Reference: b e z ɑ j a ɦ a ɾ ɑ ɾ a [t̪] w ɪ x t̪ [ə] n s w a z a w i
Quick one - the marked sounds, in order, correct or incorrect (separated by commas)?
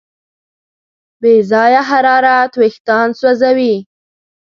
correct, incorrect